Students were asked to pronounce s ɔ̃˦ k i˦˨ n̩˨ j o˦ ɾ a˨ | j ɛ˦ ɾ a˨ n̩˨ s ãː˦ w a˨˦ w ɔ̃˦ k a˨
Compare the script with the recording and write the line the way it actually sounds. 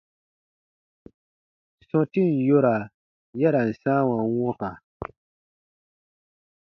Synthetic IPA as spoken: s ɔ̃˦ t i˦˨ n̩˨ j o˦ ɾ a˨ | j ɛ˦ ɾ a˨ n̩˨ s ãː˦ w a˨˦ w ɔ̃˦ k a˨